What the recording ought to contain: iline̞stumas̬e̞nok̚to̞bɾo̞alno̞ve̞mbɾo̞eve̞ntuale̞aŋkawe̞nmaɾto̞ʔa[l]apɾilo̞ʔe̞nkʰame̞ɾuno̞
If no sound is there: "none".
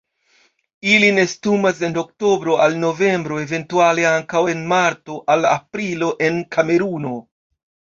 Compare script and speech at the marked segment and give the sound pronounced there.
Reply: l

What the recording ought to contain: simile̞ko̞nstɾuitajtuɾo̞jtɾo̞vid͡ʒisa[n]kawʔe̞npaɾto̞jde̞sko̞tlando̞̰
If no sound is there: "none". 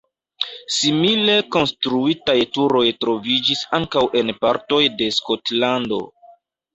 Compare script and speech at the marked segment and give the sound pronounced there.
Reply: ŋ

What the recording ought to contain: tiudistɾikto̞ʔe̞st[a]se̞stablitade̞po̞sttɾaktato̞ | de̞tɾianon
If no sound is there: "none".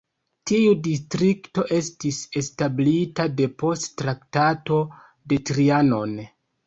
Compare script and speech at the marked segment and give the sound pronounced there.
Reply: i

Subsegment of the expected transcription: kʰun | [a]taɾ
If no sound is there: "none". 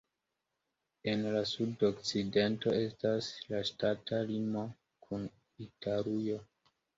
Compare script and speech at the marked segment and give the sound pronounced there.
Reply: i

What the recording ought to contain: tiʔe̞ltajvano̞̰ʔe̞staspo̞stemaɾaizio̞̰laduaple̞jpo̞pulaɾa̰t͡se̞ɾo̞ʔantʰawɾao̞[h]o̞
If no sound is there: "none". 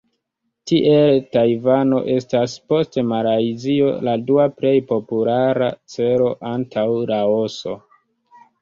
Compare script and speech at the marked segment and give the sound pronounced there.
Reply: s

